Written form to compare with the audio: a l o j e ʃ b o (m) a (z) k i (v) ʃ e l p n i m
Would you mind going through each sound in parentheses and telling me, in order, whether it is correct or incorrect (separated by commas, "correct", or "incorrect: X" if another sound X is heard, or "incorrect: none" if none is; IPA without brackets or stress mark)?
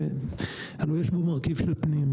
correct, incorrect: ʁ, correct